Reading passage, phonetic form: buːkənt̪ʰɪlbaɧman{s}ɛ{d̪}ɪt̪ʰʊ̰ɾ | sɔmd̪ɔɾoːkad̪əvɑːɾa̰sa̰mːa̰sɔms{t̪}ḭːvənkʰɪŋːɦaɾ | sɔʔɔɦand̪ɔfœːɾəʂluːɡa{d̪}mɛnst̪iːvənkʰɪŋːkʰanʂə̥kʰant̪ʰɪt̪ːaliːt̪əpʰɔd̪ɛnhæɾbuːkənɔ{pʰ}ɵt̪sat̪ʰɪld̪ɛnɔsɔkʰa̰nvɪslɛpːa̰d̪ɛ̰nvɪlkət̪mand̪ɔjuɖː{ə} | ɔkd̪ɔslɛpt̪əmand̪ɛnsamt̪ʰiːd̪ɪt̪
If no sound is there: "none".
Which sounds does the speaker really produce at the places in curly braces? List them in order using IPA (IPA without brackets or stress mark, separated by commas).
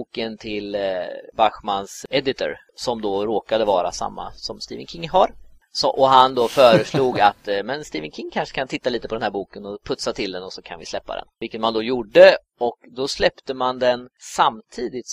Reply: s, d̪, t̪, t̪, pʰ, ə